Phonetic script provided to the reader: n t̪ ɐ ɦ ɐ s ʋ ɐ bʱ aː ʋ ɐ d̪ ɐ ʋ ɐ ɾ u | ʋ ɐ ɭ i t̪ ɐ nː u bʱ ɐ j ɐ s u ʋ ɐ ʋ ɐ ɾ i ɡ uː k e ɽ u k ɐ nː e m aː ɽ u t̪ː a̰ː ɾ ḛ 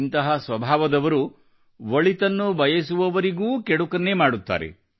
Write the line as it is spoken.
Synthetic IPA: n t̪ ɐ ɦ ɐ s ʋ ɐ bʱ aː ʋ ɐ d̪ ɐ ʋ ɐ ɾ u | ʋ ɐ ɭ i t̪ ɐ nː u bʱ ɐ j ɐ s u ʋ ɐ ʋ ɐ ɾ i ɡ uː k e ɽ u k ɐ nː e m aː ɽ u t̪ː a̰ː ɾ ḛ